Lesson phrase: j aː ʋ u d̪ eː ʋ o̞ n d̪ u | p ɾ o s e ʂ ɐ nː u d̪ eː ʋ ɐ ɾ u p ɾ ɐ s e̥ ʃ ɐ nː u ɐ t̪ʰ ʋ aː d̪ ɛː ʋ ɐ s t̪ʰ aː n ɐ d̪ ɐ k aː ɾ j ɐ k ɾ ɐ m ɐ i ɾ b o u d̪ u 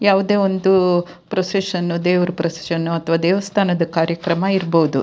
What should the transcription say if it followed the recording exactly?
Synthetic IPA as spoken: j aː ʋ u d̪ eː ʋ o̞ n d̪ u | p ɾ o s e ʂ ɐ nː u d̪ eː ʋ ɐ ɾ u p ɾ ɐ s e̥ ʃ ɐ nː u ɐ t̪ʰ ʋ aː d̪ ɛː ʋ ɐ s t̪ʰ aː n ɐ d̪ ɐ k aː ɾ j ɐ k ɾ ɐ m ɐ i ɾ b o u d̪ u